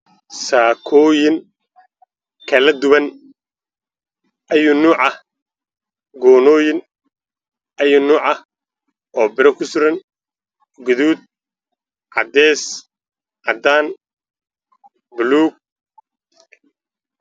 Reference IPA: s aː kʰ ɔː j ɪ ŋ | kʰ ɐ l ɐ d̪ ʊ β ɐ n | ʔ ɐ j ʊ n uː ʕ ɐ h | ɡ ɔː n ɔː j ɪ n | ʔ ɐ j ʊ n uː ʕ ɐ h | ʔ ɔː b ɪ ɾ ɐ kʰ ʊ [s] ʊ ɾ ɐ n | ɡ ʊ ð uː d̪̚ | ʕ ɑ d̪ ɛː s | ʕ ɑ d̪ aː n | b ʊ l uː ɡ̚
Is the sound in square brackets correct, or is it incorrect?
correct